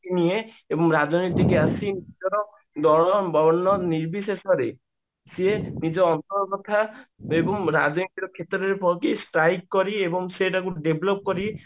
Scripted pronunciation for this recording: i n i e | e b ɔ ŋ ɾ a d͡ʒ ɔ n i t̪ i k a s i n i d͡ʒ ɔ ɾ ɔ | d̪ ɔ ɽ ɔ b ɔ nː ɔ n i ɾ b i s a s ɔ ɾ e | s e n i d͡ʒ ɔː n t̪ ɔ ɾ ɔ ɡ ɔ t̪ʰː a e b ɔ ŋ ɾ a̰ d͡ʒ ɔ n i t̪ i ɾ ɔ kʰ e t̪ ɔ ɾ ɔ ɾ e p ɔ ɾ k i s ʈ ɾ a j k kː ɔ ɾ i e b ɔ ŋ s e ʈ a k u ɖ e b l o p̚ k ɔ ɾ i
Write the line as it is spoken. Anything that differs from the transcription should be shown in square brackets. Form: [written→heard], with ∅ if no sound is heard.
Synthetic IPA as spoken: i n i e | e b ɔ ŋ ɾ a d͡ʒ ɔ n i t̪ i k a s i n i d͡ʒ ɔ ɾ ɔ | d̪ ɔ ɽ ɔ b ɔ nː ɔ n i ɾ b i s [a→e] s ɔ ɾ e | s e n i d͡ʒ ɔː n t̪ ɔ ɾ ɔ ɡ ɔ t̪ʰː a e b ɔ ŋ ɾ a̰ d͡ʒ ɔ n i t̪ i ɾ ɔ kʰ e t̪ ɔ ɾ ɔ ɾ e p ɔ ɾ k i s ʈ ɾ a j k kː ɔ ɾ i e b ɔ ŋ s e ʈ a k u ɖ e b l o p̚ k ɔ ɾ i